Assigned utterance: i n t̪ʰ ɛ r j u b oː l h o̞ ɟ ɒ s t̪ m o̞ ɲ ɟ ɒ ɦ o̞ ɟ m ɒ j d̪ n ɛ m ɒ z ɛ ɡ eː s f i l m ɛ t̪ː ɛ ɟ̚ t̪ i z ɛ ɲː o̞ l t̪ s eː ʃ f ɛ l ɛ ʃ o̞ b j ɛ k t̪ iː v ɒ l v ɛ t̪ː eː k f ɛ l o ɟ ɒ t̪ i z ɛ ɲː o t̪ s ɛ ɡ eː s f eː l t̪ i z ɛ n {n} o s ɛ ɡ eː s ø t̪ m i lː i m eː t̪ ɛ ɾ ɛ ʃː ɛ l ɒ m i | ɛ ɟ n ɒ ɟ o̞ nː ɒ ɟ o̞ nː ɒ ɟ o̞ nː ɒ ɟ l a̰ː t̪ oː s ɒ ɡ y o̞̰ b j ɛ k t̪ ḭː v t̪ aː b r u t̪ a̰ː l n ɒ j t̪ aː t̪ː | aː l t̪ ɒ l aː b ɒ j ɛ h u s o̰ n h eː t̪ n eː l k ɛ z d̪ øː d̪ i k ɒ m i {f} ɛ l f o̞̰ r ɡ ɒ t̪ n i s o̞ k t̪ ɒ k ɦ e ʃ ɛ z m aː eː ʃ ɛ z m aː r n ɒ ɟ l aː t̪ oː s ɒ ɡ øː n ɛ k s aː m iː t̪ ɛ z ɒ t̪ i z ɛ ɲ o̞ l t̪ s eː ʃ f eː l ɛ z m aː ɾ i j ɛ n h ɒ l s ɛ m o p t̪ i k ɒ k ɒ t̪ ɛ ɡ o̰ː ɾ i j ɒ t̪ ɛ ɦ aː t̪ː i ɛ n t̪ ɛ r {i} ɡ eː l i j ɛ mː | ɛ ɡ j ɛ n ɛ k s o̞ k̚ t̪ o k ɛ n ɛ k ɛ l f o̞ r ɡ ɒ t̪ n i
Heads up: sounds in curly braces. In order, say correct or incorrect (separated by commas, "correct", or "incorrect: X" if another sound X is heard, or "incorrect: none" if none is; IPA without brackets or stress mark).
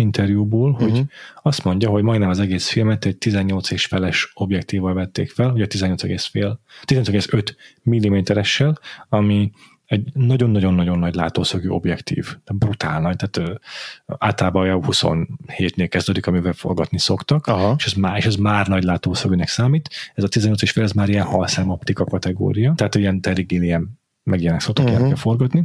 incorrect: ɲ, incorrect: v, correct